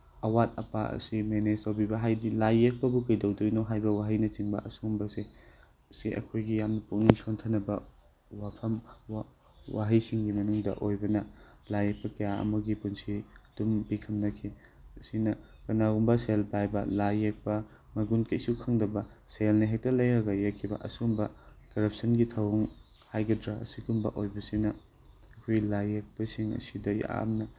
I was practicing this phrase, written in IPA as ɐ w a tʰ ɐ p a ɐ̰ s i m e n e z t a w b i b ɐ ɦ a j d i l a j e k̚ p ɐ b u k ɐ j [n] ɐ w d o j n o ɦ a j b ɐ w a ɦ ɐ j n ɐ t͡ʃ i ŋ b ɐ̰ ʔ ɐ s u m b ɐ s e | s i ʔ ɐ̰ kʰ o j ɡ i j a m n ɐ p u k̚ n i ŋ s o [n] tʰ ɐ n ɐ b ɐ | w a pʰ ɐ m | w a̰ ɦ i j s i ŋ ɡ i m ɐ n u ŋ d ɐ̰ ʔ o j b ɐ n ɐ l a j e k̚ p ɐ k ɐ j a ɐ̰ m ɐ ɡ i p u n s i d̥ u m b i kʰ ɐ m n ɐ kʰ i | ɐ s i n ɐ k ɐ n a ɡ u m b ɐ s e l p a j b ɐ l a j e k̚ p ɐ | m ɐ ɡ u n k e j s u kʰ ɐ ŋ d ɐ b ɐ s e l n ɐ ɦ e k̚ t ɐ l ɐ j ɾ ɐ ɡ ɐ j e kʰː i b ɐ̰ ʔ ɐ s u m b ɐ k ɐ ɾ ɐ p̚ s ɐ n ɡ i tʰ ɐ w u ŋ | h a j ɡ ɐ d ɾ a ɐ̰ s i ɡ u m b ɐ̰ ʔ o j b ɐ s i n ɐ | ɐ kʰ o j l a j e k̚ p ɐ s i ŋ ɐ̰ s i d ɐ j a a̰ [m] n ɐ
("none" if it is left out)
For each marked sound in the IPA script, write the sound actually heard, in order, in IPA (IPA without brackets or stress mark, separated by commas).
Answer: d, n, m